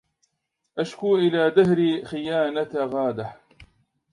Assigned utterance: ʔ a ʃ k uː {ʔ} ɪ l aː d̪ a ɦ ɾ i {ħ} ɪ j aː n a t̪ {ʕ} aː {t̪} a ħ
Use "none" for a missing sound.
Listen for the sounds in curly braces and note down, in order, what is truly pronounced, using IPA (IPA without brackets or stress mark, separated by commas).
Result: ʔ, x, ɣ, d̪